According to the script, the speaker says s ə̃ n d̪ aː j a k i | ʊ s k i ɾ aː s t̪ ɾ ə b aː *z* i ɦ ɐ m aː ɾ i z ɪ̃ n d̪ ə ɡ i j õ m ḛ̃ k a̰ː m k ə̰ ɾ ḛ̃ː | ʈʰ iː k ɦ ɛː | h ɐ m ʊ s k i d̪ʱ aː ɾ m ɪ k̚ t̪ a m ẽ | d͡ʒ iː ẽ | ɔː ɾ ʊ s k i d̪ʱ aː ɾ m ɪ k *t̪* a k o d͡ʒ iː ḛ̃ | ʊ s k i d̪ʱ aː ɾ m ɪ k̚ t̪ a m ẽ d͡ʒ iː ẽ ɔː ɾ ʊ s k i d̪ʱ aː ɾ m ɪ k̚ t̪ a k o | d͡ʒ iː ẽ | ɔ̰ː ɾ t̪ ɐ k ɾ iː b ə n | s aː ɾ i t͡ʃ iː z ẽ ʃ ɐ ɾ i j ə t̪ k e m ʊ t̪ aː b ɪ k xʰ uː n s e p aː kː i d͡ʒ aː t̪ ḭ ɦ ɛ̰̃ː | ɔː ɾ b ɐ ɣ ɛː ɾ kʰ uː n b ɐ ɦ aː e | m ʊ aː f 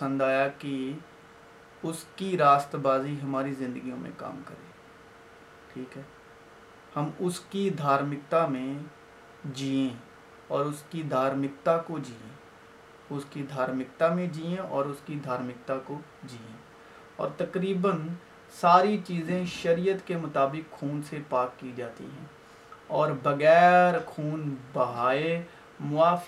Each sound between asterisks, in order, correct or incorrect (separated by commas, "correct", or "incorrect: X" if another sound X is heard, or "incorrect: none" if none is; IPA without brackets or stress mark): correct, correct